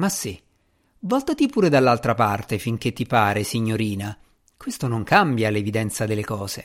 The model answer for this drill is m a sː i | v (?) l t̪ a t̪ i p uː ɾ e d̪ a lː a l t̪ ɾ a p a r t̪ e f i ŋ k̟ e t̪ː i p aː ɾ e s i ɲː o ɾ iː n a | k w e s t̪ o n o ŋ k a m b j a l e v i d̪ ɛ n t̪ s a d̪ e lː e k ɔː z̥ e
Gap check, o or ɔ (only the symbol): ɔ